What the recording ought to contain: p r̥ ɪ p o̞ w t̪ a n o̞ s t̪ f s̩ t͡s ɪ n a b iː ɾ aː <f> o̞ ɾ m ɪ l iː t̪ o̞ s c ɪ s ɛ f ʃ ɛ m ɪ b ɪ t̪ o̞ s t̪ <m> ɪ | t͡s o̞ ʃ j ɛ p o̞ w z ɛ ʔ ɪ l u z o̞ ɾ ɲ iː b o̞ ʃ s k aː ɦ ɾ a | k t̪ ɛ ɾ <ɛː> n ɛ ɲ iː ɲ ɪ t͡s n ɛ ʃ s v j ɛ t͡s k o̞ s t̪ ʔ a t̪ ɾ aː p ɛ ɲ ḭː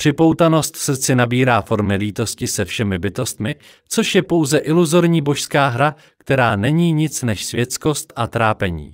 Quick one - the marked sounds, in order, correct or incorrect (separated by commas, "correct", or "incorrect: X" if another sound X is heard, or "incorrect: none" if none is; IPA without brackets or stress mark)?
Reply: correct, correct, incorrect: aː